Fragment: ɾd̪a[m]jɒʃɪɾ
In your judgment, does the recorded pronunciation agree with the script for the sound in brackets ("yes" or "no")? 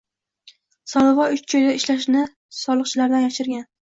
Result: no